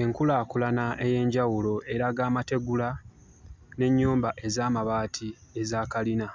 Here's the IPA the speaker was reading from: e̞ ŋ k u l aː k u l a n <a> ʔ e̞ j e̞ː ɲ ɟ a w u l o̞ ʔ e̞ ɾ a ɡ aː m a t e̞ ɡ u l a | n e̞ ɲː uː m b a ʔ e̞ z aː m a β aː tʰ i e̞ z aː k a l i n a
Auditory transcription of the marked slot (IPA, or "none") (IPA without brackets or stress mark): a